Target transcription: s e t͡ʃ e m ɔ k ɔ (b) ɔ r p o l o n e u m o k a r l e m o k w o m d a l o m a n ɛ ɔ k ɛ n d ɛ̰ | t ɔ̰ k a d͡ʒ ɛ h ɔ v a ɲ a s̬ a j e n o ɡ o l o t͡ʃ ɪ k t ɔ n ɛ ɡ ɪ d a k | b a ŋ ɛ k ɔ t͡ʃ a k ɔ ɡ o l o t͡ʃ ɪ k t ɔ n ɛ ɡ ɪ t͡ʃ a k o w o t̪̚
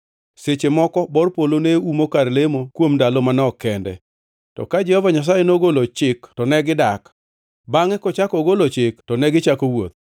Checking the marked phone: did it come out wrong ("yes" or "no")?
no